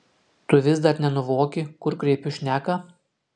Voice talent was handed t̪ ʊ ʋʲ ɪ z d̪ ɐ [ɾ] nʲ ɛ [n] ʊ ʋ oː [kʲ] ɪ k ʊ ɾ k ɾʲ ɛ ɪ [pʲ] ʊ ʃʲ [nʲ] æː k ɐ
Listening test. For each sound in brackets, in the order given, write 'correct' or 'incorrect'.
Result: correct, correct, correct, correct, correct

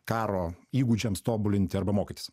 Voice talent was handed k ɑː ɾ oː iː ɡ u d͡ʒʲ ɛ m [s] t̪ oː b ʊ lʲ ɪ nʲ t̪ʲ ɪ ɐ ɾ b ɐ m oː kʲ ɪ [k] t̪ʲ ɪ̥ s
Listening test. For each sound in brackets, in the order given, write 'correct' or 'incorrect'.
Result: correct, incorrect

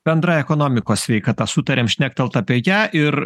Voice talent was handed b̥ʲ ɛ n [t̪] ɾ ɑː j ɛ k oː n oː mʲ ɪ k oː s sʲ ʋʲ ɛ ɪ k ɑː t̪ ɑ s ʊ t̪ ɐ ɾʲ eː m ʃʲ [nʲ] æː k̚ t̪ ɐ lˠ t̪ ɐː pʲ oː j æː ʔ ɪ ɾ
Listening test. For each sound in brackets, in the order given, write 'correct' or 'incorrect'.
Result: incorrect, correct

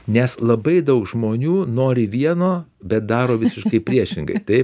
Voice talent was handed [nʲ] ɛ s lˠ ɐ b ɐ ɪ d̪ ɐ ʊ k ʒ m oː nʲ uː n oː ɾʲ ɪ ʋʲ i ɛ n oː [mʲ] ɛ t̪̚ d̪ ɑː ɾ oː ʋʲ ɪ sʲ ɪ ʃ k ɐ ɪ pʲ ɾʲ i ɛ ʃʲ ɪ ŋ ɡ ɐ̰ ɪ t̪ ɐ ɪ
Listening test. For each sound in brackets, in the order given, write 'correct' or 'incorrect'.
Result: correct, incorrect

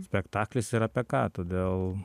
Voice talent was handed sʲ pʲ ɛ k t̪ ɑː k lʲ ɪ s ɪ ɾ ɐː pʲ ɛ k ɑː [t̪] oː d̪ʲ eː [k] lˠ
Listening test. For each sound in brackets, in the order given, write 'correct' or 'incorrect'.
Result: correct, incorrect

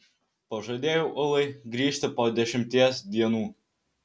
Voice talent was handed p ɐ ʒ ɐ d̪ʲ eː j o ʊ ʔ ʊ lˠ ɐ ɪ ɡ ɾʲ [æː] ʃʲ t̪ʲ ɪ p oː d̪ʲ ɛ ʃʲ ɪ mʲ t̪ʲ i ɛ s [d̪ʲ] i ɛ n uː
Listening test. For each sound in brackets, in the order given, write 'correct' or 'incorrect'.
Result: incorrect, correct

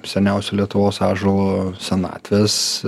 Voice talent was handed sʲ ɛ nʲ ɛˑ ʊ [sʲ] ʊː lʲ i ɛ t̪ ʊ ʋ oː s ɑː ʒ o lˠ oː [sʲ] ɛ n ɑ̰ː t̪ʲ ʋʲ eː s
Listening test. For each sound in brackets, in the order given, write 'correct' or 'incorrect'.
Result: correct, correct

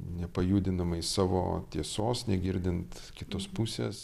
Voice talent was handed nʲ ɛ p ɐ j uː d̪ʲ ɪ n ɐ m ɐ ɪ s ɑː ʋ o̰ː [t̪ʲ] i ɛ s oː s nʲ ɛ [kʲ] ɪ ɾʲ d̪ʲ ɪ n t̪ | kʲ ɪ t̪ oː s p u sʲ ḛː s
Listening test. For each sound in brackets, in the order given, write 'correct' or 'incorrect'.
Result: correct, incorrect

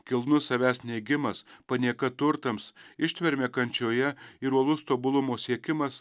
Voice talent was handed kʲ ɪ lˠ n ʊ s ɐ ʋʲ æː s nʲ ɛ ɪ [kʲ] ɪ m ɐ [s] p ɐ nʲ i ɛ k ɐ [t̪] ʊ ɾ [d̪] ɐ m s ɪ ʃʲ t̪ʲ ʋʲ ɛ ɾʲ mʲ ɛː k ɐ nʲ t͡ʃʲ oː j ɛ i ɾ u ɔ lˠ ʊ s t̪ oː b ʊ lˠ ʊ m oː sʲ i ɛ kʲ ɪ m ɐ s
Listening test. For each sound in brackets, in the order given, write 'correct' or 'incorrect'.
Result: incorrect, correct, correct, incorrect

